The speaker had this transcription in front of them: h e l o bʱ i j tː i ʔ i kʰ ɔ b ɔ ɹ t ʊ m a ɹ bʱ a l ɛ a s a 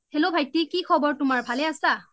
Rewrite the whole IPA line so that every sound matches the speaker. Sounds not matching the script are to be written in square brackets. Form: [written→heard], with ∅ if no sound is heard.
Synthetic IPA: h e l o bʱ [i→a] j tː i [ʔ→k] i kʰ ɔ b ɔ ɹ t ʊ m a ɹ bʱ a l ɛ a s a